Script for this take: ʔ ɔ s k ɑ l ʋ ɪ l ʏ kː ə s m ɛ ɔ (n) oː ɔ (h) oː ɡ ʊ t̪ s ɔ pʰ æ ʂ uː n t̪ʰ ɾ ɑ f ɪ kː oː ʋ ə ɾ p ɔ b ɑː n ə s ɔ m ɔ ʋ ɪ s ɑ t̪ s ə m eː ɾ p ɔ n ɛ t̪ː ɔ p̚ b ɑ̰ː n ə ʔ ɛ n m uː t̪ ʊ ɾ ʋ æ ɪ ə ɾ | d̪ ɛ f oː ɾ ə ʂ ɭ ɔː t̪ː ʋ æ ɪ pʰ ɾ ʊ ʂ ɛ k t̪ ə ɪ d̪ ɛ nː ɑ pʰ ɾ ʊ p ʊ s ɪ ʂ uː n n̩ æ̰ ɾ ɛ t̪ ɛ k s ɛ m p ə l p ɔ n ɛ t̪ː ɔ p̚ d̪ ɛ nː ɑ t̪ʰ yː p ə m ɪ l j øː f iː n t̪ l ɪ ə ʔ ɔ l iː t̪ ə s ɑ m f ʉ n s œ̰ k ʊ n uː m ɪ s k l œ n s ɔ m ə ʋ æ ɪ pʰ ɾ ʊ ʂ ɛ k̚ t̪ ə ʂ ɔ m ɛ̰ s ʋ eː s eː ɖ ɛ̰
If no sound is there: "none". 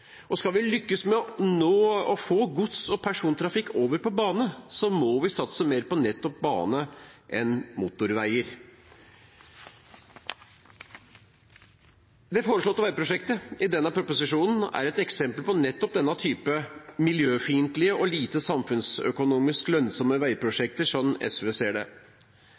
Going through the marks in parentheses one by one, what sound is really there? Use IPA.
n, f

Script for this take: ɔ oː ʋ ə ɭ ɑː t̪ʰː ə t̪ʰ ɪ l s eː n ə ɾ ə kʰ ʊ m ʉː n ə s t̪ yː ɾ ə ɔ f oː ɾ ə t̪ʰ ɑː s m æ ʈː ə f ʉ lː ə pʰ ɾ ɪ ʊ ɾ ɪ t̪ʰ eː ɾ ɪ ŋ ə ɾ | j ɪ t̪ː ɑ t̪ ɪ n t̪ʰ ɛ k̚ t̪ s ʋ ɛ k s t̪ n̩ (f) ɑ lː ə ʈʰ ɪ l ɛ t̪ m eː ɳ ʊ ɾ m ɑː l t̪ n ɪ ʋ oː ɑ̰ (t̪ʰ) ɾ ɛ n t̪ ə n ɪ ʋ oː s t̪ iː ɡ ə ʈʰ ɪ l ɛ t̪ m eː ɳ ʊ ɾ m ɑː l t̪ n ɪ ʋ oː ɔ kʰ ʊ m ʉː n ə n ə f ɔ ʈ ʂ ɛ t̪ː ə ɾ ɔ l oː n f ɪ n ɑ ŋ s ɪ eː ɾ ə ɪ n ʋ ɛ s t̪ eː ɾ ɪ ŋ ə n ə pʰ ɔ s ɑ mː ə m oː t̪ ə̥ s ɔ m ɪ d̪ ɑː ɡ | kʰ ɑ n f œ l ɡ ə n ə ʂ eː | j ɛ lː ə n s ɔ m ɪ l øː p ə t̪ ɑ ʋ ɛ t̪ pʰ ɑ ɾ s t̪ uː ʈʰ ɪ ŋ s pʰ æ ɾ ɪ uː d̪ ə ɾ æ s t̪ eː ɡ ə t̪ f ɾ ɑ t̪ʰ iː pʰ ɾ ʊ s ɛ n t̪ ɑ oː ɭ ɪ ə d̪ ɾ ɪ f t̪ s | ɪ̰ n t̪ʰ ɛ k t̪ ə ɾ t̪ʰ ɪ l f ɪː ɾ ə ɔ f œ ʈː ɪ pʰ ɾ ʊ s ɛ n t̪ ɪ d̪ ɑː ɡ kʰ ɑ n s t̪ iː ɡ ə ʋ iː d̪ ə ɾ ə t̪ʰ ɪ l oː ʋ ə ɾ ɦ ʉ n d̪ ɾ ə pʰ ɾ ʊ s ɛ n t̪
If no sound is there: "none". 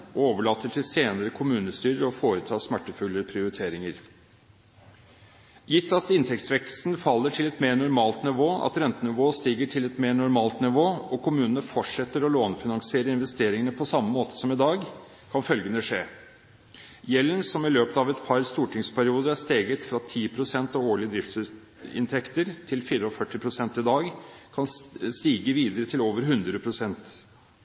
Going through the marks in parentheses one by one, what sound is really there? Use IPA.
f, t̪

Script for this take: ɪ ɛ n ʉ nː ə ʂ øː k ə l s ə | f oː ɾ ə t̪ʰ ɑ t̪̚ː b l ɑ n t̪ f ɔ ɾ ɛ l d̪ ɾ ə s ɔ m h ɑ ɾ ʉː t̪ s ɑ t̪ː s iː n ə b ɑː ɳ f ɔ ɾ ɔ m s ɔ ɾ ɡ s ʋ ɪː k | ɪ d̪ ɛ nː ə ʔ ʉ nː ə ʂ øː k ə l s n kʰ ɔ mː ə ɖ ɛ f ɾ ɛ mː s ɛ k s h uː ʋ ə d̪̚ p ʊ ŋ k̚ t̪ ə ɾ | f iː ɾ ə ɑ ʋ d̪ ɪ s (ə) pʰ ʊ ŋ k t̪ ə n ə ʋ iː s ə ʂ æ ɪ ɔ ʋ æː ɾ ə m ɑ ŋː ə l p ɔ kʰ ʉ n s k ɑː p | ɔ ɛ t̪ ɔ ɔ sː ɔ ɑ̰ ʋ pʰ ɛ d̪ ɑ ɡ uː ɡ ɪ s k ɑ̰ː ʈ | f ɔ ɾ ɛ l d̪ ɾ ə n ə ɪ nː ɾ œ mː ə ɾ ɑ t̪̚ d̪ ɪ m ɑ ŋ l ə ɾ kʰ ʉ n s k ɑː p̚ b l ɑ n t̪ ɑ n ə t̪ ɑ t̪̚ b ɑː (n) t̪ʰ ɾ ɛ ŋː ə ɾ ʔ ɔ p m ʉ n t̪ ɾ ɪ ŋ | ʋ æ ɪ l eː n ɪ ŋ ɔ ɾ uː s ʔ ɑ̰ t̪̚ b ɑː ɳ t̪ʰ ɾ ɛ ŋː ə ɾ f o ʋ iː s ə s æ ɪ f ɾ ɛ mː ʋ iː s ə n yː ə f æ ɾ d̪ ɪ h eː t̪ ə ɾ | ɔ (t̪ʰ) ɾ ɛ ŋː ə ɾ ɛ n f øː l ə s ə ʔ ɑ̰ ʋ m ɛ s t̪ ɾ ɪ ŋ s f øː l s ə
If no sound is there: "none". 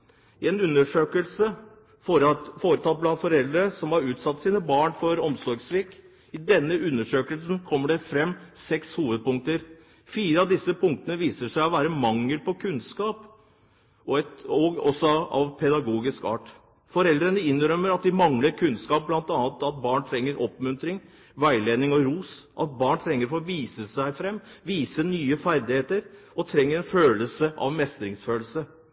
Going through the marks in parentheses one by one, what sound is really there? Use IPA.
ə, ɳ, t̪ʰ

